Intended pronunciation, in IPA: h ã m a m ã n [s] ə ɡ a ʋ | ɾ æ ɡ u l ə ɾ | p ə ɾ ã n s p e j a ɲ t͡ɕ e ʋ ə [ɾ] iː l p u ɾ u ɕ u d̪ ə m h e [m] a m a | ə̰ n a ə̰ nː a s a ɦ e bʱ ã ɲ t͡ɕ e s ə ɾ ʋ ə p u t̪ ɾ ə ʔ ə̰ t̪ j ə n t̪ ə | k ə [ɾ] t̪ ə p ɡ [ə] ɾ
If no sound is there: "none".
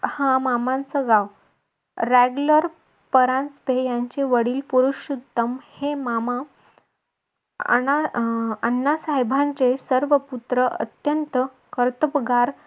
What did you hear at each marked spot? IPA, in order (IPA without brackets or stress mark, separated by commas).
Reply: t͡s, ɽ, m, ɾ, a